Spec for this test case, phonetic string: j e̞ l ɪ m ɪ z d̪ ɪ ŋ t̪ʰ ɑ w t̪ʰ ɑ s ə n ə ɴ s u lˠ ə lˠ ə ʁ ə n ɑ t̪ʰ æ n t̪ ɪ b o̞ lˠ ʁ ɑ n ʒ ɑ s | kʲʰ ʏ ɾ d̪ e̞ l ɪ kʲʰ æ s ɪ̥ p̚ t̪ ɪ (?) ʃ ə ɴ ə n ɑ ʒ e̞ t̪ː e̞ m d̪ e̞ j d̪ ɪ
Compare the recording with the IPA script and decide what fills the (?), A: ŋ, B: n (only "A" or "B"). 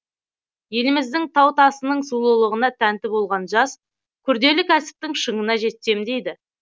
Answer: A